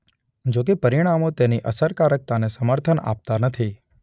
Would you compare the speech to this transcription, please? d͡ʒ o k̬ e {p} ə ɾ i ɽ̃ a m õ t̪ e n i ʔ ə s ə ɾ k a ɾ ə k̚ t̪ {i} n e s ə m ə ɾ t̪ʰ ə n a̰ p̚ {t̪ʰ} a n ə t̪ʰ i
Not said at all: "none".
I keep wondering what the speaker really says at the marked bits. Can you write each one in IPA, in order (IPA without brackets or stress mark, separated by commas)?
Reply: p, a, t̪